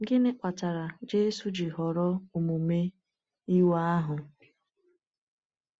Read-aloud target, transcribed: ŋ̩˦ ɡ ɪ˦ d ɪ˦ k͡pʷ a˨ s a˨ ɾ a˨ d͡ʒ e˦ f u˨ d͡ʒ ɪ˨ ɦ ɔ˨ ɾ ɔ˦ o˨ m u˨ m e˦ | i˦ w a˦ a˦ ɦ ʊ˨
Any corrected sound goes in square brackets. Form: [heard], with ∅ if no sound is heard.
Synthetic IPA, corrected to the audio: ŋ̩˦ ɡ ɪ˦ [n] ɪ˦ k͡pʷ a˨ [t] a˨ ɾ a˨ d͡ʒ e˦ [s] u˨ d͡ʒ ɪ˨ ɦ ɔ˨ ɾ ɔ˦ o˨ m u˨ m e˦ | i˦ w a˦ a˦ ɦ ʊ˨